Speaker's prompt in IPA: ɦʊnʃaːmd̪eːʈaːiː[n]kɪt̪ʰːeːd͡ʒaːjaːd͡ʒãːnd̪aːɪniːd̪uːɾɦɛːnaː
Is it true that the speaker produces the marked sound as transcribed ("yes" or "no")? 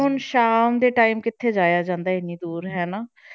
no